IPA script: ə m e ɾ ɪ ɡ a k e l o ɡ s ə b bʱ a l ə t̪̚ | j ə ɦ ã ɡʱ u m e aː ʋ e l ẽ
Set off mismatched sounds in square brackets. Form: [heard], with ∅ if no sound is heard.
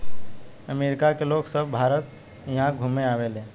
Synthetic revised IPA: ə m e ɾ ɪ [k] a k e l o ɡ s ə b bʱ a [ɾ] ə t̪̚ | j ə ɦ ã ɡʱ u m e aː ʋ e l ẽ